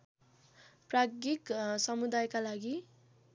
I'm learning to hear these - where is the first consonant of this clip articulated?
lips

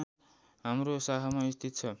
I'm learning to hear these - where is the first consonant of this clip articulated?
throat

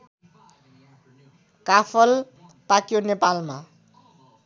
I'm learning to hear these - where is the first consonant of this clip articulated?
velum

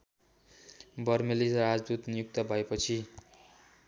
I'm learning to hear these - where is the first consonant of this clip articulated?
lips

